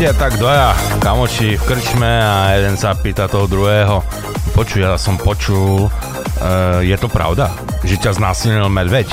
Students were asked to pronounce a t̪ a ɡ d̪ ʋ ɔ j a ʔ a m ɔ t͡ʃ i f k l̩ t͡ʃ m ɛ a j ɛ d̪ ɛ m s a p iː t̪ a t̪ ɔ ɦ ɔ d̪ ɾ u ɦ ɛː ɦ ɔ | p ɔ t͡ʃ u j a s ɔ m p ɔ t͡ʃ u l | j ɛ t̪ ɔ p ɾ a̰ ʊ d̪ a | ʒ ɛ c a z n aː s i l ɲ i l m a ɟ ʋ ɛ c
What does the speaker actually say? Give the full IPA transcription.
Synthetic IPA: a t̪ a ɡ d̪ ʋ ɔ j a k a m ɔ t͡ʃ i f k r̩ t͡ʃ m ɛ a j ɛ d̪ ɛ n s a p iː t̪ a t̪ ɔ ɦ ɔ d̪ ɾ u ɦ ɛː ɦ ɔ | p ɔ t͡ʃ u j a s ɔ m p ɔ t͡ʃ u l | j ɛ t̪ ɔ p ɾ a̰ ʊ d̪ a | ʒ ɛ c a z n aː s i l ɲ i l m a ɟ ʋ ɛ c